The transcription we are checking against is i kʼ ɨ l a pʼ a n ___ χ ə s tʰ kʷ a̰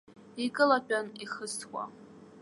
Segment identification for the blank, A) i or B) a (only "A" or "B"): A